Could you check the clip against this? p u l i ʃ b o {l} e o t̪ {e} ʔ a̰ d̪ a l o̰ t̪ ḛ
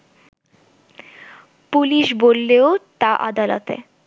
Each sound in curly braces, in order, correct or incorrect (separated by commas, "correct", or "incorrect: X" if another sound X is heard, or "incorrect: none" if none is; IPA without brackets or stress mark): incorrect: lː, incorrect: a